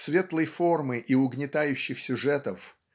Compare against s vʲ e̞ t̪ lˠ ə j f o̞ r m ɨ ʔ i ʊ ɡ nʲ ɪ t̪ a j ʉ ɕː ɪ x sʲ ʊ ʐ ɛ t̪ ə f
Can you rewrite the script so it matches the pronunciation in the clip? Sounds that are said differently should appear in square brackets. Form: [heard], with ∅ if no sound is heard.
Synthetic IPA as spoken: s vʲ e̞ t̪ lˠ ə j f o̞ r m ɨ ʔ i ʊ ɡ nʲ ɪ t̪ a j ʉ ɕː ɪ x sʲ ʊ ʐ ɛ t̪ ə f